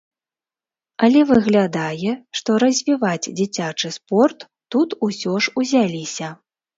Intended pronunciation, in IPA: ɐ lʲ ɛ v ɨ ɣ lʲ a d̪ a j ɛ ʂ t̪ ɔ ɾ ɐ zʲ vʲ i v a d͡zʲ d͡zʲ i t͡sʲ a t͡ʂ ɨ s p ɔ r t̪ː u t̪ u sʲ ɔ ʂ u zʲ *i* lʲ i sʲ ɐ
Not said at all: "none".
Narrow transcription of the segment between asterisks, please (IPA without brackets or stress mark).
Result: a